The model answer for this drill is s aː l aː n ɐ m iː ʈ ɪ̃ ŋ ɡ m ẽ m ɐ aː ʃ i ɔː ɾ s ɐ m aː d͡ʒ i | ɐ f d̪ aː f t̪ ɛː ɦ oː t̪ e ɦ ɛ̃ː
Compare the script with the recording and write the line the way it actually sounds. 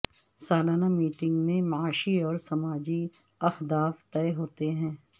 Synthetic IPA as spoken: s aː l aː n a m iː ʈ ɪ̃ ŋ ɡ m ẽ m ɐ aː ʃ i ɔː ɾ s ɐ m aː d͡ʒ i | ɐ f d̪ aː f t̪ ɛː ɦ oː t̪ e ɦ ɛ̃ː